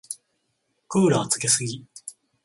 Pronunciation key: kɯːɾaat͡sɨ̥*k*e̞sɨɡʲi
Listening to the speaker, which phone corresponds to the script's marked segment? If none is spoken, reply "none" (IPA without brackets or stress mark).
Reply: k